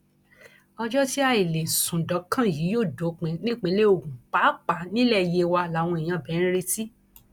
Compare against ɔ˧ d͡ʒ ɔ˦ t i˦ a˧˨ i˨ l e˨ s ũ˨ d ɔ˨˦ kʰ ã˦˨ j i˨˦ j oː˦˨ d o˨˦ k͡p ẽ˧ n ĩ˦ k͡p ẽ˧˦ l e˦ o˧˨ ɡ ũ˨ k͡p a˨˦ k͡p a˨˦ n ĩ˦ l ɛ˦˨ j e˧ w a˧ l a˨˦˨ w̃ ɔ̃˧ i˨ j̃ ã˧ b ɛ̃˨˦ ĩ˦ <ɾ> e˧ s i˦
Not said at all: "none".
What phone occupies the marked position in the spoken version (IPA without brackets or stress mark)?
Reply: ɾ